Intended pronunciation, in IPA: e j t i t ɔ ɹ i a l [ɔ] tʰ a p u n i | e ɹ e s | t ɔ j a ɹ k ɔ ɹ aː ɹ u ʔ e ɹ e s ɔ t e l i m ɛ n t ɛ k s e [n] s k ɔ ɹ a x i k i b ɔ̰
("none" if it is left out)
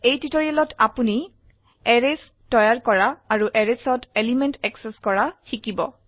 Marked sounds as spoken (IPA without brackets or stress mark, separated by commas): ɔ, none